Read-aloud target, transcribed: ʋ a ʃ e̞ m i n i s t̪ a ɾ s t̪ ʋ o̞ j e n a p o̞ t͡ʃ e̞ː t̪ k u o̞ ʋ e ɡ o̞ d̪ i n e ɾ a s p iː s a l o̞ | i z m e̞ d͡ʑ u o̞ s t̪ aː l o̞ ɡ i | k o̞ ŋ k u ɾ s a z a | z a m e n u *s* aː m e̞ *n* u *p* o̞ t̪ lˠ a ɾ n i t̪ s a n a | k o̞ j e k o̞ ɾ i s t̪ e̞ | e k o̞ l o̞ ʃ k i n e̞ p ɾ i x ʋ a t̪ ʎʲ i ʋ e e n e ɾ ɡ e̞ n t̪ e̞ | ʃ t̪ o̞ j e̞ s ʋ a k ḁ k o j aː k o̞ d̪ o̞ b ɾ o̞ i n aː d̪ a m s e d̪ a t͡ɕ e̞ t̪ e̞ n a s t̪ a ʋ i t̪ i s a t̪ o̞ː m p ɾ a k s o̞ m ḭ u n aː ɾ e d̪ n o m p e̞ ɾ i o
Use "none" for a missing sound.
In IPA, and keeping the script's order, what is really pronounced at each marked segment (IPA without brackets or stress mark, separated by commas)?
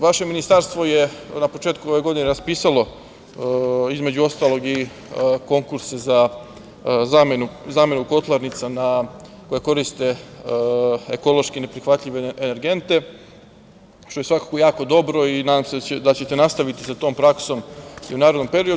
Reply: z, n, k